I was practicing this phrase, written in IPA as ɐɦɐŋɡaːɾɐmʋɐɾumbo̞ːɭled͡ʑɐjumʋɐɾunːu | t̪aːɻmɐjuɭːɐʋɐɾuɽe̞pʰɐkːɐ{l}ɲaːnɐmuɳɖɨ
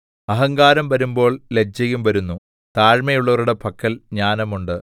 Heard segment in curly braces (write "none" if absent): l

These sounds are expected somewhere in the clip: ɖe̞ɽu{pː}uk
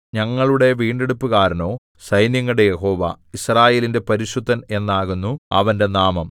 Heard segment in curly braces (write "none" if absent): pː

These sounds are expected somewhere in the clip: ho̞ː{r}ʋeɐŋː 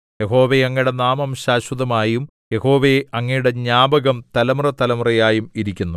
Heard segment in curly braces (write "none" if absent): none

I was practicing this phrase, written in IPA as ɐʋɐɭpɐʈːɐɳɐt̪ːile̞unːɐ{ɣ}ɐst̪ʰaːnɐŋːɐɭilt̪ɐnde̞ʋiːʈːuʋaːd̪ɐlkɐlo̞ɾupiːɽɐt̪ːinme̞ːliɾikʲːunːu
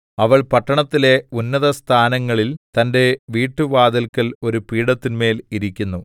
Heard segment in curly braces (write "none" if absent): ð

